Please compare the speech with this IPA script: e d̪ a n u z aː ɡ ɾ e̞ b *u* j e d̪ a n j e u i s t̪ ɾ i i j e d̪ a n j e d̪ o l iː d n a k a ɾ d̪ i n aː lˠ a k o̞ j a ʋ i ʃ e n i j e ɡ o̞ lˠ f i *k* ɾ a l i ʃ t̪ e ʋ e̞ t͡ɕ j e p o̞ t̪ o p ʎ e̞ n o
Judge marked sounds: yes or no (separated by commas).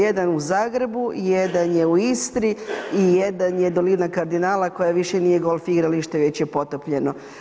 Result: yes, no